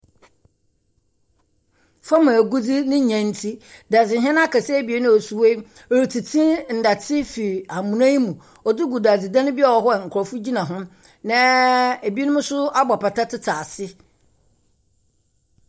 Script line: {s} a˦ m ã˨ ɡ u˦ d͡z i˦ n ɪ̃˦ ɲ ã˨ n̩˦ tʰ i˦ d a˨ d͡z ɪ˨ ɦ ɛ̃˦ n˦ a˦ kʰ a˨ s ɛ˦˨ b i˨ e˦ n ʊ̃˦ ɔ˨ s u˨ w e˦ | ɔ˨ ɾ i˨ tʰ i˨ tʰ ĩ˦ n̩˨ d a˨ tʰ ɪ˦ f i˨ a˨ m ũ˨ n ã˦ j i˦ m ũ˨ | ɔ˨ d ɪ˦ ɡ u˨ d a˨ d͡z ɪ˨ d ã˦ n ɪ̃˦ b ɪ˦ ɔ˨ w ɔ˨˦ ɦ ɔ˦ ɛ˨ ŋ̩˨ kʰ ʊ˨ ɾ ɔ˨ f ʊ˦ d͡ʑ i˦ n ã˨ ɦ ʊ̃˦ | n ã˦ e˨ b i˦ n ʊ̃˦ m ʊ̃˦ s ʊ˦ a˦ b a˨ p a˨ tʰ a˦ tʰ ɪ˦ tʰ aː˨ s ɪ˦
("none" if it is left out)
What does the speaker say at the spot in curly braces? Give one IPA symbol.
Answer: f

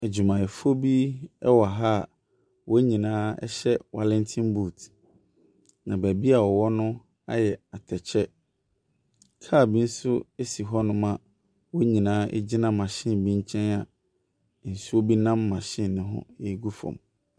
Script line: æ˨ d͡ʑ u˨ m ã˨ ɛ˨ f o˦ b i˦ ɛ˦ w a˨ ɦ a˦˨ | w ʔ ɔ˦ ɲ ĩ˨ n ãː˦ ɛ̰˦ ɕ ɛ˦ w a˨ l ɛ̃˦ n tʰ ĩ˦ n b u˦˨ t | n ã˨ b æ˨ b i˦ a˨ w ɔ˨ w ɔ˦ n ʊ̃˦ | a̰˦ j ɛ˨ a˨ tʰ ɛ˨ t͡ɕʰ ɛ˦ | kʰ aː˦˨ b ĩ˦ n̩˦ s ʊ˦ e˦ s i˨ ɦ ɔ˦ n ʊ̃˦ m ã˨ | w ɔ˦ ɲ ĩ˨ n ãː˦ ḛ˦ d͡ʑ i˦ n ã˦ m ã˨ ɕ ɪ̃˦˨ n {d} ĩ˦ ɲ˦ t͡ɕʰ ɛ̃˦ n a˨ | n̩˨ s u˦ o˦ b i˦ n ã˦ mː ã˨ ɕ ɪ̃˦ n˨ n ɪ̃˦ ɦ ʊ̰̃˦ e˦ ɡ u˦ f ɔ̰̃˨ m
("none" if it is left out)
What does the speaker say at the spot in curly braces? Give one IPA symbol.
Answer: b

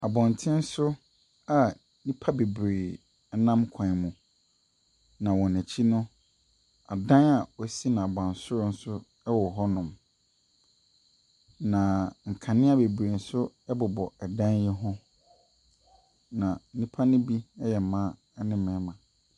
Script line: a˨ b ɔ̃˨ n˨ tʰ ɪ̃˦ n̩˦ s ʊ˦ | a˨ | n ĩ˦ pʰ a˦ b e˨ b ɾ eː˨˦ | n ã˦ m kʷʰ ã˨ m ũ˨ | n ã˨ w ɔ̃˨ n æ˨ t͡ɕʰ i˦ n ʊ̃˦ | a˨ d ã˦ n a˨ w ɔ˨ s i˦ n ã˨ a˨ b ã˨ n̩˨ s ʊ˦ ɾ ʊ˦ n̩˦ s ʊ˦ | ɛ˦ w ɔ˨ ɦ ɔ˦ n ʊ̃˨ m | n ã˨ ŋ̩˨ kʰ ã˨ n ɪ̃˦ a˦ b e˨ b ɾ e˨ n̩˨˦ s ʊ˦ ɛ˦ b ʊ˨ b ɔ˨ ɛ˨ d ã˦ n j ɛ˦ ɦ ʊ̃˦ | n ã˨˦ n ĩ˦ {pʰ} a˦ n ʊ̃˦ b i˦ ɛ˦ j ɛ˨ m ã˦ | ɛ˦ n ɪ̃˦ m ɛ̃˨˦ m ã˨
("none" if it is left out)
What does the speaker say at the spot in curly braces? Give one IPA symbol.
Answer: pʰ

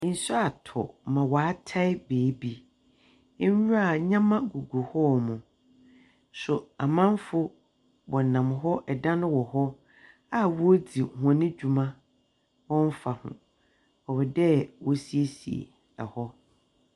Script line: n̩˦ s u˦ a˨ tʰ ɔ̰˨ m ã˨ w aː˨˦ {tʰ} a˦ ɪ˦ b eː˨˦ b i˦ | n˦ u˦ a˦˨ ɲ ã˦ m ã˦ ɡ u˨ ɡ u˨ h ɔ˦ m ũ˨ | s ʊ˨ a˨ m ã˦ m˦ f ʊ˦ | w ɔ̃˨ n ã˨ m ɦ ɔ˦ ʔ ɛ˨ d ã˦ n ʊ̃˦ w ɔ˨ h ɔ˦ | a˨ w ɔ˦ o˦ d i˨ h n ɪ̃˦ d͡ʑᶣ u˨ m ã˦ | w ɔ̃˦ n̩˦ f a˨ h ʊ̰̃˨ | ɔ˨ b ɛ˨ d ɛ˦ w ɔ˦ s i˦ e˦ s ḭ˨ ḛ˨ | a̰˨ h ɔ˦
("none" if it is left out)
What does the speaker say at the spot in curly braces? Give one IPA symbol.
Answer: tʰ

